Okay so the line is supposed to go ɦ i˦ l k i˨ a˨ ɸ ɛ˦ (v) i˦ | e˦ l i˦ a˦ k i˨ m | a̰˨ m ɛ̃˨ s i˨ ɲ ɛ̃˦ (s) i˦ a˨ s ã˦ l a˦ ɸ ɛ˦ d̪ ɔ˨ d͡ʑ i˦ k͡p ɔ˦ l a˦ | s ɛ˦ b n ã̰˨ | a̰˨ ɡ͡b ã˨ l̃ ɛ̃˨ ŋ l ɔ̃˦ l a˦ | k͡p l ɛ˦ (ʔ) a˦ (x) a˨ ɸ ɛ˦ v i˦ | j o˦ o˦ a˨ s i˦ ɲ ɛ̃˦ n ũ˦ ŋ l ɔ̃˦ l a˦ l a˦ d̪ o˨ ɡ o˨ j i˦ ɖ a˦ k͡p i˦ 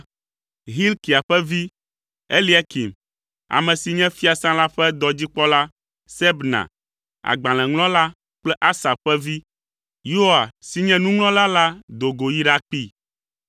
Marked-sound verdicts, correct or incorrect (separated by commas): correct, incorrect, correct, incorrect